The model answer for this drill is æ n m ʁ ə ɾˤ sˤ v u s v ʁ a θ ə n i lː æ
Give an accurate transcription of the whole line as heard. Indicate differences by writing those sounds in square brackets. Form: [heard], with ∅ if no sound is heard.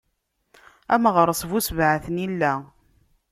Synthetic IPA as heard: æ [∅] m ʁ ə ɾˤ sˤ v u s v [ʕ] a θ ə n i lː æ